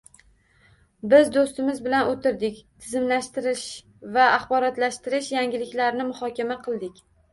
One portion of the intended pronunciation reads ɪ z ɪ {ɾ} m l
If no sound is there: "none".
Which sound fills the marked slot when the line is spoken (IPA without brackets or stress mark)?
none